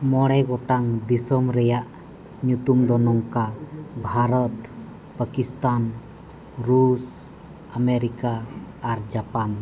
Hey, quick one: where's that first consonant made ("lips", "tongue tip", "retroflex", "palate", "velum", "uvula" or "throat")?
lips